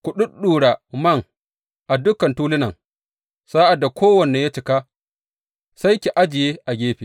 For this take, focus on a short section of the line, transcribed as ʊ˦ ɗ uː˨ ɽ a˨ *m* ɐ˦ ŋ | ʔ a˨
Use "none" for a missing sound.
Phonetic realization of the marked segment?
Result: m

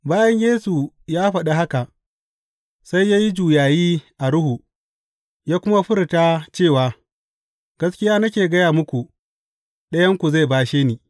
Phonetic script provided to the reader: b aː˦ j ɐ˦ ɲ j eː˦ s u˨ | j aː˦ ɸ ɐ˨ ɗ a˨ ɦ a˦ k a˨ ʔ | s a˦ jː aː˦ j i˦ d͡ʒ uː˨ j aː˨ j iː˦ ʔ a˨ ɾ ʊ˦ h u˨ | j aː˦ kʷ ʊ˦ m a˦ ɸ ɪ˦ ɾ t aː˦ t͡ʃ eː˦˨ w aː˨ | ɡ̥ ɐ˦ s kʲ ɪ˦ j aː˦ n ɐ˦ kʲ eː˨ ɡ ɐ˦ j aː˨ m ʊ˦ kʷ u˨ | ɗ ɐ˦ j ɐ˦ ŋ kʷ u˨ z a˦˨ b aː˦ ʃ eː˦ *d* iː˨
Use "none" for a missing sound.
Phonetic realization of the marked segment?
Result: n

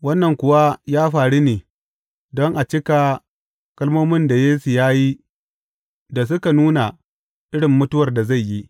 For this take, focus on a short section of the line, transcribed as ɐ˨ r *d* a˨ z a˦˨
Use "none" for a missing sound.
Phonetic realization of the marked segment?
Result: d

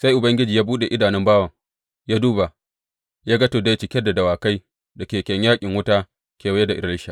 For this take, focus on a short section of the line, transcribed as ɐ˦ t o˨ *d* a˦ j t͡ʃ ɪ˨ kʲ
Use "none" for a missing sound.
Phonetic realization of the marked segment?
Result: d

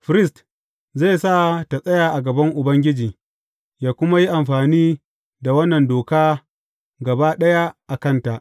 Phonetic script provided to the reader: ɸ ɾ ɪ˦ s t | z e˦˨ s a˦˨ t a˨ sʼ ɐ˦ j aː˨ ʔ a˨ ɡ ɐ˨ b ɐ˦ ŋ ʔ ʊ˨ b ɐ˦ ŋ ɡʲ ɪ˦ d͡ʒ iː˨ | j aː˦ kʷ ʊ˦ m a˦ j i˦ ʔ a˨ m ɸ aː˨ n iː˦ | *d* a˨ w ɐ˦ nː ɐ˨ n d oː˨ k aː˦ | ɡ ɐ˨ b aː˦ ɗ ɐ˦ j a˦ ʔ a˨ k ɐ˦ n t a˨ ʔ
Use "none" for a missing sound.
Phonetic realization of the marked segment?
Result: d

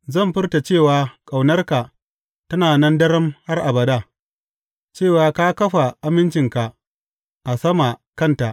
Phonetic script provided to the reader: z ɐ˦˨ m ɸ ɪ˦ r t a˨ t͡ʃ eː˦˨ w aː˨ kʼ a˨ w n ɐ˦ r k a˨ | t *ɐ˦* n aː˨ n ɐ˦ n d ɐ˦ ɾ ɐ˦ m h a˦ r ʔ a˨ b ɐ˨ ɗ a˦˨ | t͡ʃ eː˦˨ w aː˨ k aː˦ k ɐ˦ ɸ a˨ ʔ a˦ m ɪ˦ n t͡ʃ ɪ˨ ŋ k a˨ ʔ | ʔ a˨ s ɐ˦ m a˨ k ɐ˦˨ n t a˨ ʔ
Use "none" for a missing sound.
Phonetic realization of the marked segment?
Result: ɐ˦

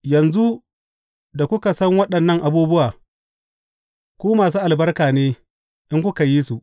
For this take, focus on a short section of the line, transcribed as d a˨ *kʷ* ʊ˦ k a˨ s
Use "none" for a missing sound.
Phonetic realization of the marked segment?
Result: kʷ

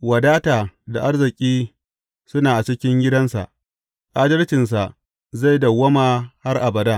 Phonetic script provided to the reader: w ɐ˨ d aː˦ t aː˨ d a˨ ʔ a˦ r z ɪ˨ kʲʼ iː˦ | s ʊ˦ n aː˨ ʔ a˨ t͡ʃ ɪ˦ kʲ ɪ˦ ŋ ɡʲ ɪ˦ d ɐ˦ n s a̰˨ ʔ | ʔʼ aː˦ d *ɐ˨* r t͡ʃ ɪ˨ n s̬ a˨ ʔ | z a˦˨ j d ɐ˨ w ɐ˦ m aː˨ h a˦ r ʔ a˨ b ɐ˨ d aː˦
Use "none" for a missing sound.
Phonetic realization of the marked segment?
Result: ɐ˦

